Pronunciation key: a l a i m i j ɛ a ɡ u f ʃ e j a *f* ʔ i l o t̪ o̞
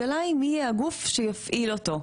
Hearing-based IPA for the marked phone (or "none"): f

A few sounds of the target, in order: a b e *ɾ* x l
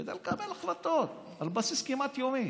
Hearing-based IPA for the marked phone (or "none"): l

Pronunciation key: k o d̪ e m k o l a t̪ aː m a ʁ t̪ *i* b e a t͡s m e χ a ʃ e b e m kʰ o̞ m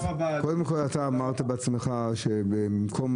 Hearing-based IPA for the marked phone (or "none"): a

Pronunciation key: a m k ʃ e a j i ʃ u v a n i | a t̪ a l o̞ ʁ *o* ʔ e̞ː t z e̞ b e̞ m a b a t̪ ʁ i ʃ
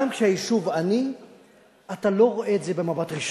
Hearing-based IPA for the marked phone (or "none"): o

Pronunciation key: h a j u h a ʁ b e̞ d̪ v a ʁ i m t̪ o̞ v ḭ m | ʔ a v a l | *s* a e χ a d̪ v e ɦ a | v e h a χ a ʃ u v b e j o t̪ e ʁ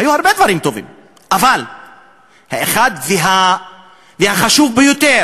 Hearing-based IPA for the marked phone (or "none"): h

